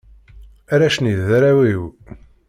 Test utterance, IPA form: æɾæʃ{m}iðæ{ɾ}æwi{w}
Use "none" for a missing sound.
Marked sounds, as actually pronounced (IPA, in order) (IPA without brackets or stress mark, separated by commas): n, ɾ, w